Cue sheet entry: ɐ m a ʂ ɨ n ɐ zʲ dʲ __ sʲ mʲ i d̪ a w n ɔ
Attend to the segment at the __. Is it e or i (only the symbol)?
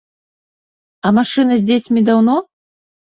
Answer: e